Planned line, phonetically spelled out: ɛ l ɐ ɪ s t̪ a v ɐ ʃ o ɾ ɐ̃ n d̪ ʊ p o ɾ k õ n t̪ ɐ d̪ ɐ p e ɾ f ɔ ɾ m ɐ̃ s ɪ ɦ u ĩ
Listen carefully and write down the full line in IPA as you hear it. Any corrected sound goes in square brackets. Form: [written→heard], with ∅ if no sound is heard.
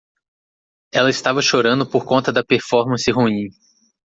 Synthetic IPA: ɛ l ɐ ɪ s t̪ a v ɐ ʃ o ɾ ɐ̃ n d̪ ʊ p o ɾ k õ n t̪ ɐ d̪ ɐ p e ɾ f ɔ ɾ m ɐ̃ s ɪ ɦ u ĩ